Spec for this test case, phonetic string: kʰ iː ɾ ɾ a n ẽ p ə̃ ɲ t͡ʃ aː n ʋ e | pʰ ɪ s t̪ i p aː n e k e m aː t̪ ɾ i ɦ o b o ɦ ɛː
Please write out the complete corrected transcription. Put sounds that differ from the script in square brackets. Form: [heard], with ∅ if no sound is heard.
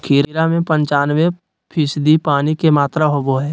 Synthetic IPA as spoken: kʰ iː ɾ ɾ a [m] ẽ p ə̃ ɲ t͡ʃ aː n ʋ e | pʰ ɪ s [d̪] i p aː n [i] k e m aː t̪ ɾ [a] ɦ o b o ɦ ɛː